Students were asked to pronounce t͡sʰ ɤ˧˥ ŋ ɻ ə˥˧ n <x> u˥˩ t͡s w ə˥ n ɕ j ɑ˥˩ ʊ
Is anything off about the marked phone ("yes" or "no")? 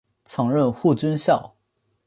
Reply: no